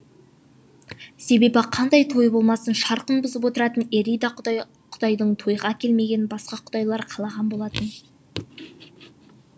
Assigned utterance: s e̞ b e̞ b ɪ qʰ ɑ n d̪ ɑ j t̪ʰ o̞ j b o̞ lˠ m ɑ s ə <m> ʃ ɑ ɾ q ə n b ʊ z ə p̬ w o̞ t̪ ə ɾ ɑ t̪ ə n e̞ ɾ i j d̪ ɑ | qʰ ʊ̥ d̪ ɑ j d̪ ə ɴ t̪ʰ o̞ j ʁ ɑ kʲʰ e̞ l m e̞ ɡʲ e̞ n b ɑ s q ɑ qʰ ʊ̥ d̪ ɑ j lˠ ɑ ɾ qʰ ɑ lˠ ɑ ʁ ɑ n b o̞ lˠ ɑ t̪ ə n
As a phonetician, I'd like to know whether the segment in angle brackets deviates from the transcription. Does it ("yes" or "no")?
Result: yes